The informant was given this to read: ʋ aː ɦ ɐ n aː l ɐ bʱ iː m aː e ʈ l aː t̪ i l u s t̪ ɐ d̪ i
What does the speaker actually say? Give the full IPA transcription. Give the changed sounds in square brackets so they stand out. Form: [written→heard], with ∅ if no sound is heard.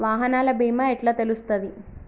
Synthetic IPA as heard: ʋ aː ɦ ɐ n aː l ɐ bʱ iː m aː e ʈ l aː t̪ [i→e] l u s t̪ ɐ d̪ i